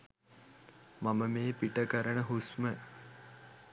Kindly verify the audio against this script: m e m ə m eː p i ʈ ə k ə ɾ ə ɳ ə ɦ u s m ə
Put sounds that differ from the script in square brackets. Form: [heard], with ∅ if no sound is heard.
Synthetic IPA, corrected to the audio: m [a] m ə m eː p i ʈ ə k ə ɾ ə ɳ ə ɦ u s m ə